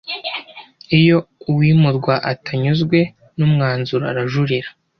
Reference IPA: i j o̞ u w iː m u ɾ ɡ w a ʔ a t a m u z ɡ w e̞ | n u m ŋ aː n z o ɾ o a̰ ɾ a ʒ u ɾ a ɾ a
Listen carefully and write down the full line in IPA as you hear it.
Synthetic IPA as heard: i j o̞ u w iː m u ɾ ɡ w a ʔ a t a ɲ u z ɡ w e̞ | n u m ŋ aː n z u ɾ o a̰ ɾ a ʒ u ɾ i ɾ a